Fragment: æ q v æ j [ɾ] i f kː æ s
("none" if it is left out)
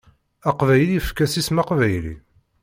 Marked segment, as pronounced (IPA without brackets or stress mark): l